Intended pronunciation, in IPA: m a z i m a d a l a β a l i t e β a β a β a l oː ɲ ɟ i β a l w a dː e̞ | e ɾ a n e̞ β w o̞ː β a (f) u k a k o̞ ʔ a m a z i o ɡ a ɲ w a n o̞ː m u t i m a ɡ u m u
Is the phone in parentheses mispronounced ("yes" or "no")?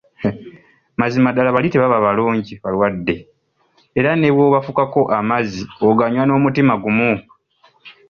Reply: no